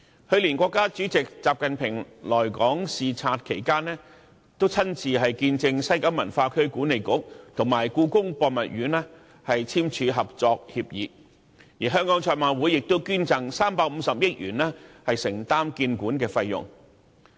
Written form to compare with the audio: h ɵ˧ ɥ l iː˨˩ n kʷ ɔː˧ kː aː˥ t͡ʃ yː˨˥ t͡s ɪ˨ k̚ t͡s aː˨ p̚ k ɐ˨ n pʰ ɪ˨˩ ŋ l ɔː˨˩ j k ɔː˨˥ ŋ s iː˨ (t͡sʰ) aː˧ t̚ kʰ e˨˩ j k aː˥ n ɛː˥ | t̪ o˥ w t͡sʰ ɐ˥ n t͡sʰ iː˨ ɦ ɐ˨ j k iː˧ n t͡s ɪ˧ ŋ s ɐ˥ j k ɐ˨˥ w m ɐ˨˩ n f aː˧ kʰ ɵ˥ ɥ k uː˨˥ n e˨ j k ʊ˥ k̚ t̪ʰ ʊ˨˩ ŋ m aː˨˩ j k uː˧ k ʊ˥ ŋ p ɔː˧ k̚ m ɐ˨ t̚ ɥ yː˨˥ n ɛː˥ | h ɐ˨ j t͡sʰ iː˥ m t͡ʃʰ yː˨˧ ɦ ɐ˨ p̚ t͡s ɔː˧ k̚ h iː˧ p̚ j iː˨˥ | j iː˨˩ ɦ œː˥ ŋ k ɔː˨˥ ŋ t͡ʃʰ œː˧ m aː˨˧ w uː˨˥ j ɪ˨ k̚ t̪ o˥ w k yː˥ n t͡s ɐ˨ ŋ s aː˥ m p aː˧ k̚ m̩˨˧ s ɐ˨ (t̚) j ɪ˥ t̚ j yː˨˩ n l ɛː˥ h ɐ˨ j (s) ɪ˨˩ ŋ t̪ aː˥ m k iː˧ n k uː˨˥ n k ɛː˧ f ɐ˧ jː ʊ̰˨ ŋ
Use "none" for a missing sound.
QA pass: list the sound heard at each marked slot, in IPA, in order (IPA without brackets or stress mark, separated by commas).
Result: t͡sʰ, p̚, s